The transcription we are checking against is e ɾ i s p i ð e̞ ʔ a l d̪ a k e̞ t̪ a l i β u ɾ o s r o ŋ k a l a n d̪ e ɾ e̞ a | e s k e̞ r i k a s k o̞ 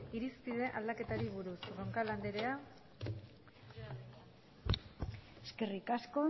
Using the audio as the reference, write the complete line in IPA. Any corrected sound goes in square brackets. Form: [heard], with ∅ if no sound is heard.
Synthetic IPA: [i] ɾ i s p i ð e̞ ʔ a l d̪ a k e̞ t̪ a [ɾ] i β u ɾ [u] s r o ŋ k a l a n d̪ e ɾ e̞ a | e s k e̞ r i k a s k o̞

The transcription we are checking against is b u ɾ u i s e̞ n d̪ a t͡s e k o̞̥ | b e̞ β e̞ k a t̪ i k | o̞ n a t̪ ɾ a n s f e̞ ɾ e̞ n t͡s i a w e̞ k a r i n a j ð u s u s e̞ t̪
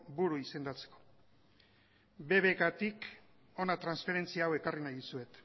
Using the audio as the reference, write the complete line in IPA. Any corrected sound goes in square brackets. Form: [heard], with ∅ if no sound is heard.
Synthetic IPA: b u ɾ u i s e̞ n d̪ a t͡s e k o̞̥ | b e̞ β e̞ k a t̪ i k | o̞ n a t̪ ɾ a n s f e̞ ɾ e̞ n t͡s i a w e̞ k a r i n a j ð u s u [∅] e̞ t̪

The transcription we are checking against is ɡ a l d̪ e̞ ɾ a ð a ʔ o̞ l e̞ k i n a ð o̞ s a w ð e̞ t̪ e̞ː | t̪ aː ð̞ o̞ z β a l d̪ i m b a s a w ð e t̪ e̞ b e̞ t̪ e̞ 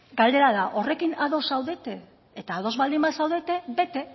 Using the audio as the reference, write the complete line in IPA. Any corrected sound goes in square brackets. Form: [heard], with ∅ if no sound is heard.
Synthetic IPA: ɡ a l d̪ e̞ ɾ a ð a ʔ o̞ [r] e̞ k i n a ð o̞ s a w ð e̞ t̪ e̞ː | t̪ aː ð̞ o̞ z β a l d̪ i m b a s a w ð e t̪ e̞ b e̞ t̪ e̞

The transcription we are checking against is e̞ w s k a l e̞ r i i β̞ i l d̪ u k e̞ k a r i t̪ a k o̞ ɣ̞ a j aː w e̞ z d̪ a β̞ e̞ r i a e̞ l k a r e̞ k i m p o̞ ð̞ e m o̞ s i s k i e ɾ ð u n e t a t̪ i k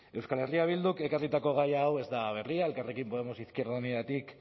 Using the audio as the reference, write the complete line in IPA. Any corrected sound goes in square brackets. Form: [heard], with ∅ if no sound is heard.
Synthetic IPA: e̞ w s k a l e̞ r i [a] β̞ i l d̪ u k e̞ k a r i t̪ a k o̞ ɣ̞ a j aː w e̞ z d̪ a β̞ e̞ r i a e̞ l k a r e̞ k i m p o̞ ð̞ e m o̞ s i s k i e ɾ ð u n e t a t̪ i k

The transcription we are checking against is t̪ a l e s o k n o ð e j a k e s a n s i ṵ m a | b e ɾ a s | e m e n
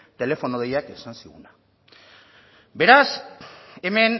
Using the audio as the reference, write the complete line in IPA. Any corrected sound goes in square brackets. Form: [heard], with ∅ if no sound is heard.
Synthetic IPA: t̪ [e] l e [f] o [∅] n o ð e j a k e s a n s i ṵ [n] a | b e ɾ a s | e m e n

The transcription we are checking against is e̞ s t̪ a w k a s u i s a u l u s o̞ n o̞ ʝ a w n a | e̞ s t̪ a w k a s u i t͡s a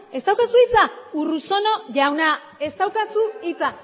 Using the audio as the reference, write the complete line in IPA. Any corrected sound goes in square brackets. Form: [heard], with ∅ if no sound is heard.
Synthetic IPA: e̞ s t̪ a w k a s u i [t͡s] a u [r] u s o̞ n o̞ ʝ a w n a | e̞ s t̪ a w k a s u i t͡s a

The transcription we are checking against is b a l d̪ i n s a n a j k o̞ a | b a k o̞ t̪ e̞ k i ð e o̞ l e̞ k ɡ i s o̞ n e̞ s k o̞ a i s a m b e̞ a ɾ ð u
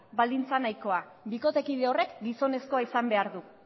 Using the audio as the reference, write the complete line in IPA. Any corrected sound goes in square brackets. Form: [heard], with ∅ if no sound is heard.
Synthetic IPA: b a l d̪ i n [t͡s] a n a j k o̞ a | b [i] k o̞ t̪ e̞ k i ð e o̞ [r] e̞ k ɡ i s o̞ n e̞ s k o̞ a i s a m b e̞ a ɾ ð u

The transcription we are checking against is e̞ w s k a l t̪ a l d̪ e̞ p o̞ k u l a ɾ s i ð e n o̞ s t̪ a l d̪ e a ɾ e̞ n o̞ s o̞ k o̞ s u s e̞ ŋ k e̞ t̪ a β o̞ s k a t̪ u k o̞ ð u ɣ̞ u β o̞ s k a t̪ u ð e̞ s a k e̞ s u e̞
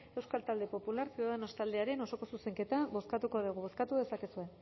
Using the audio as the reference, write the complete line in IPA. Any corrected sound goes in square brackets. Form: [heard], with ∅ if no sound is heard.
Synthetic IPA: e̞ w s k a l t̪ a l d̪ e̞ p o̞ [p] u l a ɾ s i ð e n o̞ s t̪ a l d̪ e a ɾ e̞ n o̞ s o̞ k o̞ s u s e̞ ŋ k e̞ t̪ a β o̞ s k a t̪ u k o̞ ð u ɣ̞ u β o̞ s k a t̪ u ð e̞ s a k e̞ s u e̞

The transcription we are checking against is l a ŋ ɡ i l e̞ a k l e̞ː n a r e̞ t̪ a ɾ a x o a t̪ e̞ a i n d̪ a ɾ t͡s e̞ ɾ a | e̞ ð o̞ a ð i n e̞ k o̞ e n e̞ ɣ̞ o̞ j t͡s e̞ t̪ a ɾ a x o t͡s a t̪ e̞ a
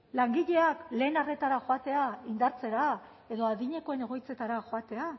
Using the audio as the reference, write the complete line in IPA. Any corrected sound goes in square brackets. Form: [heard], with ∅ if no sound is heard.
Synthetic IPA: l a ŋ ɡ i [ʎ] e̞ a k l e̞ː n a r e̞ t̪ a ɾ a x o a t̪ e̞ a i n d̪ a ɾ t͡s e̞ ɾ a | e̞ ð o̞ a ð i [ɲ] e̞ k o̞ e n e̞ ɣ̞ o̞ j t͡s e̞ t̪ a ɾ a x o [∅] a t̪ e̞ a

